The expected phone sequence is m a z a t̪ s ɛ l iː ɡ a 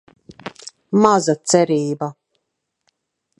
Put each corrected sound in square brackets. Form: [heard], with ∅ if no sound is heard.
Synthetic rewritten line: m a z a t̪ s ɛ [ɾ] iː [b] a